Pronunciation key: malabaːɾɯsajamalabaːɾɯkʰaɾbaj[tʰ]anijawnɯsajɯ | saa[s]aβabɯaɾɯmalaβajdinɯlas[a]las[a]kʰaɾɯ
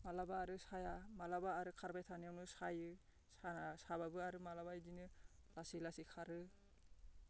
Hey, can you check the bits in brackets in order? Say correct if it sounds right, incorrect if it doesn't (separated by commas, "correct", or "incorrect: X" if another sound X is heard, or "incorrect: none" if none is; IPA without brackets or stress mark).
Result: correct, correct, incorrect: i, incorrect: i